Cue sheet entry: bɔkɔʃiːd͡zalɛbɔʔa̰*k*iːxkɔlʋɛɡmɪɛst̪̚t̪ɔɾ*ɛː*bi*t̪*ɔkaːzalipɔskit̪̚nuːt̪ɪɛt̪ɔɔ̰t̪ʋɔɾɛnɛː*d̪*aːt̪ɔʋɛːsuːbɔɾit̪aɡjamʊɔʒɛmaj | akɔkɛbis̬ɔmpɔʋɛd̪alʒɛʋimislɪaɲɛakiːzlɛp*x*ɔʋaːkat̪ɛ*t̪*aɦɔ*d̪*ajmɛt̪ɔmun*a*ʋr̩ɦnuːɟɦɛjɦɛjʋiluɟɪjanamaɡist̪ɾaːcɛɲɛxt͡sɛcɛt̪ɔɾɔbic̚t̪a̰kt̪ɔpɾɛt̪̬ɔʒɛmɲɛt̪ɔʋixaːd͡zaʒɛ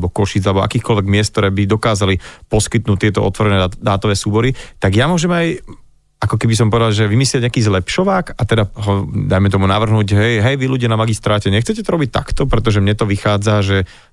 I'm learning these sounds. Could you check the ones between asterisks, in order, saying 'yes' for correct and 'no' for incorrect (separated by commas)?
yes, yes, no, yes, no, no, yes, yes